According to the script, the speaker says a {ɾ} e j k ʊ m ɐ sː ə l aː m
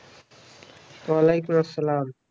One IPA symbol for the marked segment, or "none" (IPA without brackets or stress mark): l